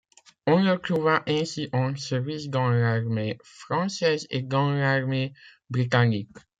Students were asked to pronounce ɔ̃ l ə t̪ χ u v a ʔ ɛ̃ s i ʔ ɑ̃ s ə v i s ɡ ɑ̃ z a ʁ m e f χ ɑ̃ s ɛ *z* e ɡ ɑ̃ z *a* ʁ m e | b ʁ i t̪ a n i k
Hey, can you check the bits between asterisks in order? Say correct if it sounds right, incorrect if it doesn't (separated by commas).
correct, correct